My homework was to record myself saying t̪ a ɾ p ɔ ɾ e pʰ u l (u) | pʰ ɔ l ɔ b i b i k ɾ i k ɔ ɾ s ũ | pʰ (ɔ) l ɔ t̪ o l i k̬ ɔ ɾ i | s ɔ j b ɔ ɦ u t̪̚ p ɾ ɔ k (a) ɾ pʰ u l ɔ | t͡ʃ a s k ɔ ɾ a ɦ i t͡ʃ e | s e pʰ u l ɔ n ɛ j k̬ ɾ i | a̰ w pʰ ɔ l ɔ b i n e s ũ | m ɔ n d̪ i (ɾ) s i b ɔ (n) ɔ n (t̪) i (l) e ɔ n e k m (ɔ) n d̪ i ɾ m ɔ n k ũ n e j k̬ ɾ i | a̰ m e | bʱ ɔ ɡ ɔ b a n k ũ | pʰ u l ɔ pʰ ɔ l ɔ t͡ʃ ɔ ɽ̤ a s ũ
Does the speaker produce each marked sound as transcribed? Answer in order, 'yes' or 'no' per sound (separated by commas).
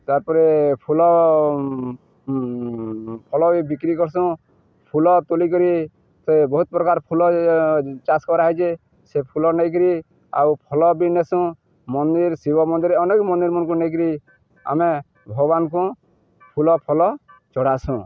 no, no, yes, yes, no, no, no, yes